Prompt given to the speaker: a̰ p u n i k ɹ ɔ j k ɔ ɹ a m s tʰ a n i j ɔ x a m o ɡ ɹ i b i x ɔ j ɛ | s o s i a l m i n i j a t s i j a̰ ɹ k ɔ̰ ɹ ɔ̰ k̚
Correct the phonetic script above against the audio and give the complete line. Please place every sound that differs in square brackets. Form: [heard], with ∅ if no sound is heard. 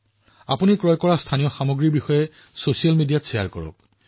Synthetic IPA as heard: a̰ p u n i k ɹ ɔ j k ɔ ɹ a [∅] s tʰ a n i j ɔ x a m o ɡ ɹ i b i x ɔ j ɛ | s o s i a l m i [d] i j a t s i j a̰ ɹ k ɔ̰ ɹ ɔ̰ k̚